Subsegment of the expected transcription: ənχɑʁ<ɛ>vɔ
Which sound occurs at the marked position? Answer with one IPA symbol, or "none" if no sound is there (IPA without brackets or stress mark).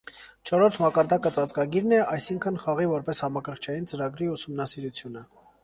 i